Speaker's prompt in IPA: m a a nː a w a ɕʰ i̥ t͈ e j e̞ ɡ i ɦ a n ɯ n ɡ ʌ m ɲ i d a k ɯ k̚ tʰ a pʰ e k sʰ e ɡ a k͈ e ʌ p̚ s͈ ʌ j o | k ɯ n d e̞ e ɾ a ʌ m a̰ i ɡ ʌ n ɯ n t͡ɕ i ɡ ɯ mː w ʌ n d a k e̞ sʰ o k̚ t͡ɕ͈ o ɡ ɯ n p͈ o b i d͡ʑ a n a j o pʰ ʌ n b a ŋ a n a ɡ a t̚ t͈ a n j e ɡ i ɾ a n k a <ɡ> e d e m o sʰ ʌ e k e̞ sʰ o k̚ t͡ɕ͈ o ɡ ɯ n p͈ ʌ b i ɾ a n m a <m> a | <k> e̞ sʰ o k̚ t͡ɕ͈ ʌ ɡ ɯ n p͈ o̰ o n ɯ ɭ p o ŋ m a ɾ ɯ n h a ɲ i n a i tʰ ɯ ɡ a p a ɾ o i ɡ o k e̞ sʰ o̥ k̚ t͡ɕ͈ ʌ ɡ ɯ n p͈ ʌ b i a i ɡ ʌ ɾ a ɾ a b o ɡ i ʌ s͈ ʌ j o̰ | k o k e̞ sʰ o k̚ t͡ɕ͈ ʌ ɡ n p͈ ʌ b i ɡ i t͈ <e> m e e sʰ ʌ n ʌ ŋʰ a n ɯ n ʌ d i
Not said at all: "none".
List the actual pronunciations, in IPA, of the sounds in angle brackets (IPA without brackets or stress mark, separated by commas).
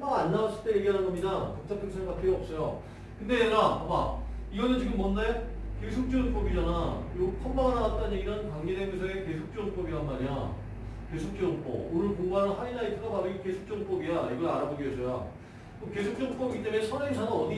ŋ, ɲ, k, e